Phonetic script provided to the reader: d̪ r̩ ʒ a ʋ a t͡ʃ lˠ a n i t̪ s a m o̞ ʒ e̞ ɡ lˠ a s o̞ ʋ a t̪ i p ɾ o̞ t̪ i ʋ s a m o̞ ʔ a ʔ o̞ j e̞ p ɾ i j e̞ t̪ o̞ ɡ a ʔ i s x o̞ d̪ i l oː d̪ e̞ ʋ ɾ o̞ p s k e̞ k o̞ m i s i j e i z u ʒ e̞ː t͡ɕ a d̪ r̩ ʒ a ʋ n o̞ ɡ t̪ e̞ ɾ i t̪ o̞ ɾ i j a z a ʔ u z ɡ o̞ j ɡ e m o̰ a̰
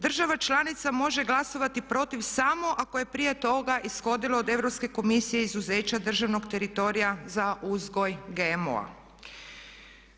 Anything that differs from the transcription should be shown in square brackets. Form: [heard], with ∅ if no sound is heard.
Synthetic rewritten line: d̪ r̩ ʒ a ʋ a t͡ʃ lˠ a n i t̪ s a m o̞ ʒ e̞ ɡ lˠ a s o̞ ʋ a t̪ i p ɾ o̞ t̪ i ʋ s a m o̞ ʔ a [k] o̞ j e̞ p ɾ i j e̞ t̪ o̞ ɡ a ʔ i s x o̞ d̪ i l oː d̪ e̞ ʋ ɾ o̞ p s k e̞ k o̞ m i s i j e i z u [z] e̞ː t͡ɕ a d̪ r̩ ʒ a ʋ n o̞ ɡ t̪ e̞ ɾ i t̪ o̞ ɾ i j a z a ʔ u z ɡ o̞ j ɡ e m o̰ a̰